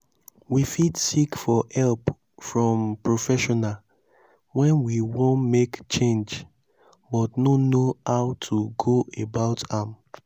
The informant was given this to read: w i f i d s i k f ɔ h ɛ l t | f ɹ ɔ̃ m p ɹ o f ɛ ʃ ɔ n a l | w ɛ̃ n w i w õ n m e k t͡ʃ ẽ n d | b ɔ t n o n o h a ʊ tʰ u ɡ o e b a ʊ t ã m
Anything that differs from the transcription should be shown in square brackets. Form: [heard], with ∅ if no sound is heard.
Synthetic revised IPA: w i f i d s i k f ɔ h ɛ l [p] | f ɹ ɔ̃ m p ɹ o f ɛ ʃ ɔ n a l | w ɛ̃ n w i w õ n m e k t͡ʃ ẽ n [d͡ʒ] | b ɔ t n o n o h a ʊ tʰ u ɡ o e b a ʊ t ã m